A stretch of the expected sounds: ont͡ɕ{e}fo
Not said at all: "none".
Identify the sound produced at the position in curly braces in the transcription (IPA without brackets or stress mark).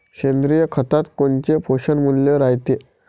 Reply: e